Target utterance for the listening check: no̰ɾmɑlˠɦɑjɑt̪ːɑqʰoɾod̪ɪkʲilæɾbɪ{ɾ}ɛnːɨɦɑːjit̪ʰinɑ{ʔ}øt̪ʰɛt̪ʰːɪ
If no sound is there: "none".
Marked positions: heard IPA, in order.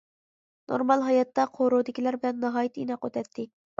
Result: l, q

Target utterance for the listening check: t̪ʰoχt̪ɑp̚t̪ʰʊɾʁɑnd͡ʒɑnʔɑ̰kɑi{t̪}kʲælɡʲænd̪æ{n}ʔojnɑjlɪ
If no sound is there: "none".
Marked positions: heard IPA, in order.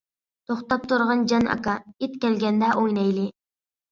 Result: t̪, none

